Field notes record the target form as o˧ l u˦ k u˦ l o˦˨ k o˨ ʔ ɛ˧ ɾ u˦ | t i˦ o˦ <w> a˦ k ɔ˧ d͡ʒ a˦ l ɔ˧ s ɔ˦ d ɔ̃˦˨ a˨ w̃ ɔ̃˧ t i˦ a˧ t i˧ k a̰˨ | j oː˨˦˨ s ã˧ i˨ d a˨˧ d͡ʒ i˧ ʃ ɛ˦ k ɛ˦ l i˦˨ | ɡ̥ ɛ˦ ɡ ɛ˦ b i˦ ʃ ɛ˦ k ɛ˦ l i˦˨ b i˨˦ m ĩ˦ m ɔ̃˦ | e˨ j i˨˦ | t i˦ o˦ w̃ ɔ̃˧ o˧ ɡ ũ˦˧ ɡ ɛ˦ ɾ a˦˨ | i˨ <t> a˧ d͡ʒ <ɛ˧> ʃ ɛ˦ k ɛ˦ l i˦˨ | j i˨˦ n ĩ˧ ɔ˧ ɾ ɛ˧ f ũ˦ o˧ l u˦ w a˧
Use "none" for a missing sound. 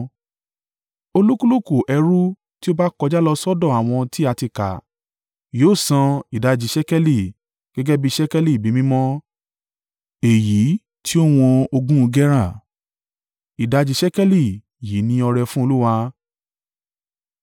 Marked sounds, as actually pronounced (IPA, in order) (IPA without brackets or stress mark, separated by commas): b, d, i˧